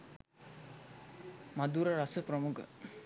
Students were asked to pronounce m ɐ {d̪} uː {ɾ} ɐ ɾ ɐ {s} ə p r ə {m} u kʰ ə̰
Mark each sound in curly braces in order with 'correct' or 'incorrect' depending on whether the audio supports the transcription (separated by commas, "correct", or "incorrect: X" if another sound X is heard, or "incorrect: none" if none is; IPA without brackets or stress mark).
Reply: correct, correct, correct, correct